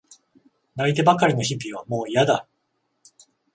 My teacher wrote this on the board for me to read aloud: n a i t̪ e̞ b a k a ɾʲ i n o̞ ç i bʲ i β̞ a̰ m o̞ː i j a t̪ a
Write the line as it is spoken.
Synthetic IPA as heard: n a i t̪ e̞ b a k a ɾʲ i n o̞ ç i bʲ i β̞ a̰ m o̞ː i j a d̪ a